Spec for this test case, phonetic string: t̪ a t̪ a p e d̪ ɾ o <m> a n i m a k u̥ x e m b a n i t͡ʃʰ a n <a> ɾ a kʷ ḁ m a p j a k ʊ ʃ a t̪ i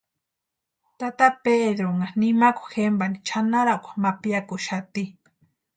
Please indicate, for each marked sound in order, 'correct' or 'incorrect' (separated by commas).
incorrect, correct